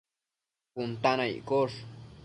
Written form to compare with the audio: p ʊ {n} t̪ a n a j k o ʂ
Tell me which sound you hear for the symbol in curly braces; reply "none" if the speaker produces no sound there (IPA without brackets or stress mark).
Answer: n